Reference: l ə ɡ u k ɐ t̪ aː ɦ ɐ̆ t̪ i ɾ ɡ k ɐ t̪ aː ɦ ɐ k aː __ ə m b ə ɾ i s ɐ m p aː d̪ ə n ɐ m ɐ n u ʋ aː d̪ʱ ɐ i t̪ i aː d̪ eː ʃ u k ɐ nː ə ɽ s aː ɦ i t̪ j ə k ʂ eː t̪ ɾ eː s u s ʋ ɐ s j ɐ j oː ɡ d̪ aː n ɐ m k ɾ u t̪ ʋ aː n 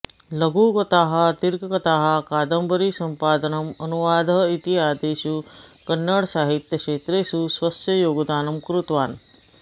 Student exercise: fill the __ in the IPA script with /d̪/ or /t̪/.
d̪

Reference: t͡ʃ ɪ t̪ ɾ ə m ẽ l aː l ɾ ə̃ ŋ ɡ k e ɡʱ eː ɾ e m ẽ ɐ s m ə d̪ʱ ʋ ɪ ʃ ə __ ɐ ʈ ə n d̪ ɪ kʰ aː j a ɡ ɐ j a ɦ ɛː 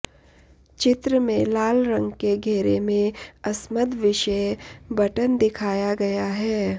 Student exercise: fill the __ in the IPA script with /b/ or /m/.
b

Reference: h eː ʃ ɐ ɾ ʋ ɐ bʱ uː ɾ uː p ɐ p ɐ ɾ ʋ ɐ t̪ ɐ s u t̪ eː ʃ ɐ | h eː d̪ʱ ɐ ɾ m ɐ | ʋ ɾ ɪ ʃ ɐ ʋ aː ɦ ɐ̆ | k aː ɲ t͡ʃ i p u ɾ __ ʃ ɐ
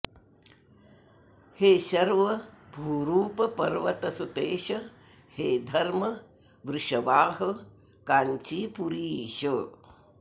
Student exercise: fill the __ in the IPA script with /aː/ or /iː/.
iː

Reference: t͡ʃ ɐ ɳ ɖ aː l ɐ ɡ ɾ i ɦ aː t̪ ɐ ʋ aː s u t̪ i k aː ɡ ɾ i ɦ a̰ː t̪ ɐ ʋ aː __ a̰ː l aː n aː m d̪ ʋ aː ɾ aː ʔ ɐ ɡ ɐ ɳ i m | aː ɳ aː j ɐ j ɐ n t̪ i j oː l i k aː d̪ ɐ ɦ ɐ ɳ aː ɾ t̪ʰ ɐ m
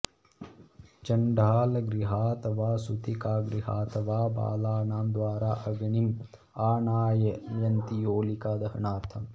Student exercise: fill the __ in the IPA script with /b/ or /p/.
b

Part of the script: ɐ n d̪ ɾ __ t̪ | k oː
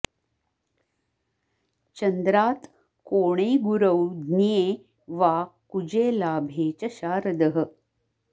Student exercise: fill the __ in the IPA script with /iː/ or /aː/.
aː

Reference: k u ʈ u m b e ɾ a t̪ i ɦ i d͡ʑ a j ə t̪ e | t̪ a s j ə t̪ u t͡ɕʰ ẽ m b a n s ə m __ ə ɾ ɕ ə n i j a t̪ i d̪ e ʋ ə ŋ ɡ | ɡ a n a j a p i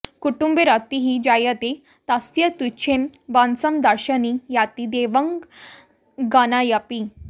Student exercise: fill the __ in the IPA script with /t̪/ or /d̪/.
d̪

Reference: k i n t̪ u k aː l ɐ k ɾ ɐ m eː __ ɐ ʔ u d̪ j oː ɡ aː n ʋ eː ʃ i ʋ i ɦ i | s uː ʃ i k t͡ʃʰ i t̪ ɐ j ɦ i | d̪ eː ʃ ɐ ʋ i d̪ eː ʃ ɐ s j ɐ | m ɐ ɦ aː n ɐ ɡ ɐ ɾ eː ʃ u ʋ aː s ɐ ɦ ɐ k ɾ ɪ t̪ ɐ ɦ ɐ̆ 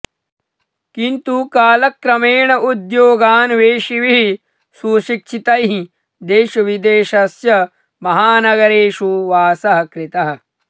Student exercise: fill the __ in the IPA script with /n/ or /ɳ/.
ɳ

